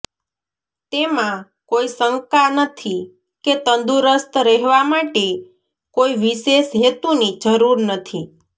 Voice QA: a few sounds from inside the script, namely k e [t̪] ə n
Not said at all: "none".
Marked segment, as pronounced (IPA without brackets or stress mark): t̪